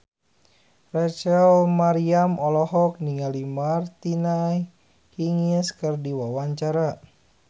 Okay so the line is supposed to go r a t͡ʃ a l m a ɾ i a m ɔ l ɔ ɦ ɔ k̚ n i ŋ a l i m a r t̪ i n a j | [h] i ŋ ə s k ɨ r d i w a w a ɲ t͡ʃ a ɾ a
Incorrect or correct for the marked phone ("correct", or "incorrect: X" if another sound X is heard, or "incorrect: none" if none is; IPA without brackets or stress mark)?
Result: correct